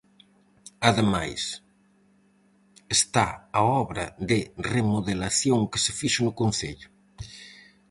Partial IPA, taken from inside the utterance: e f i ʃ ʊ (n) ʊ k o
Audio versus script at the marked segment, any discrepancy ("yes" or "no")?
no